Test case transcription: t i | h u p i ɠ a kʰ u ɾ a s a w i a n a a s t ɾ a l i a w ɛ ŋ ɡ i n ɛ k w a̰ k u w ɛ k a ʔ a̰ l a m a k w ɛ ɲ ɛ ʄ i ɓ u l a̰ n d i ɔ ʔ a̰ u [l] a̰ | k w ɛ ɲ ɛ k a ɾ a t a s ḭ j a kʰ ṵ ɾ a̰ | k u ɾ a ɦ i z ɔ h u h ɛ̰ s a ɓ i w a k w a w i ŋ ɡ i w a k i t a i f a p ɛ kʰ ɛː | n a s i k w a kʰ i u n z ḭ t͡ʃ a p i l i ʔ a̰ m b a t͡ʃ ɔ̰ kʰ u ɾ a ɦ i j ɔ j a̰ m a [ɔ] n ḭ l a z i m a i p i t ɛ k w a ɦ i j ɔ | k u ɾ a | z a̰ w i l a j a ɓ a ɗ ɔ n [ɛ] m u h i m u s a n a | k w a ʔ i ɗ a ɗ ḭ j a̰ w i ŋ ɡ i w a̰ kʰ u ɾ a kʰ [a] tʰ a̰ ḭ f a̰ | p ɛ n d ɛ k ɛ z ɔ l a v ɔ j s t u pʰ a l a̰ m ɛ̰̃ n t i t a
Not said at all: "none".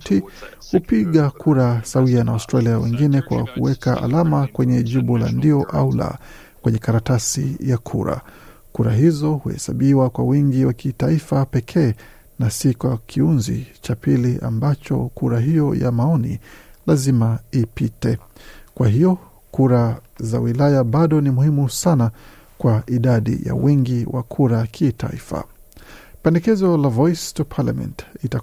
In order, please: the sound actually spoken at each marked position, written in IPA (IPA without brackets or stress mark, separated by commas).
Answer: l, ɔ, i, i